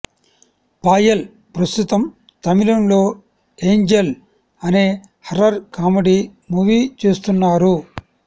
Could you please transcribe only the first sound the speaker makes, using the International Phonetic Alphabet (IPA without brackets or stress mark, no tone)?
p